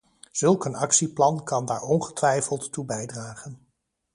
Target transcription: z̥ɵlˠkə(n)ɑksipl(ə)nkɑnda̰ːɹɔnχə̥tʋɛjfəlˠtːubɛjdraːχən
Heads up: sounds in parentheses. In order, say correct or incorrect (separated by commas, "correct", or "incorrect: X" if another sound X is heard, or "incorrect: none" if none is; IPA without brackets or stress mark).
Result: correct, incorrect: ɑ